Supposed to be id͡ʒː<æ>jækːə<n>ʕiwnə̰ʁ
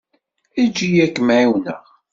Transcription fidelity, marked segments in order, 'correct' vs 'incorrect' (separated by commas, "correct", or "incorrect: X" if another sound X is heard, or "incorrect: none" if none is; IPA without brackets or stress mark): incorrect: i, incorrect: m